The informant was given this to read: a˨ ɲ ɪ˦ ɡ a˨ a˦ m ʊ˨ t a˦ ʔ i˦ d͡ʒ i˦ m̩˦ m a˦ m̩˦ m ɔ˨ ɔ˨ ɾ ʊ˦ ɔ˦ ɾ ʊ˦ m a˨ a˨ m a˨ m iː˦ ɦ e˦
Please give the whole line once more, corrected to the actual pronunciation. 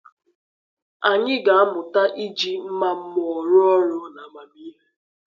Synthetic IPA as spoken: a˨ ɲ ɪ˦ ɡ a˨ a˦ m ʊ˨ t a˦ ʔ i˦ d͡ʒ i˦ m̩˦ m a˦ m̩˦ m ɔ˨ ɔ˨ ɾ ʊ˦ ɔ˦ ɾ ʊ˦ n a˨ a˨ m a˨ m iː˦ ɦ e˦